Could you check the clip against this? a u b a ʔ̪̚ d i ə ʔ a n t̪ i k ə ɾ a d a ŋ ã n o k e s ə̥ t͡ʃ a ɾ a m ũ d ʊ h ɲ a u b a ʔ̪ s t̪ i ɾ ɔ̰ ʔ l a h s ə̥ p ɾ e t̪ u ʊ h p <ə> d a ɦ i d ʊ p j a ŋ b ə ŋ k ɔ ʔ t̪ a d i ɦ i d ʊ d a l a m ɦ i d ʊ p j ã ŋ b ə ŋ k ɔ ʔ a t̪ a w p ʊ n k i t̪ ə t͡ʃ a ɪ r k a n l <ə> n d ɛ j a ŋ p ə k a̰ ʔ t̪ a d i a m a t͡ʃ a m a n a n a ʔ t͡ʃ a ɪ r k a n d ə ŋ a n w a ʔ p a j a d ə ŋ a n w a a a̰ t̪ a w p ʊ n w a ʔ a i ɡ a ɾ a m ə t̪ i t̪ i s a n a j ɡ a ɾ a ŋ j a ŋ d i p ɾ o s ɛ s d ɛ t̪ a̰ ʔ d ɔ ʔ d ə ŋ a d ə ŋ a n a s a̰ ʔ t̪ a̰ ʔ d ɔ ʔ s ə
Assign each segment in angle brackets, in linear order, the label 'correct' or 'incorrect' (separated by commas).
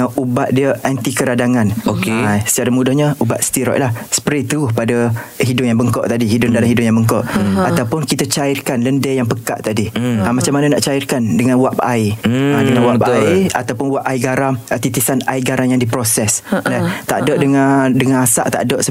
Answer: incorrect, correct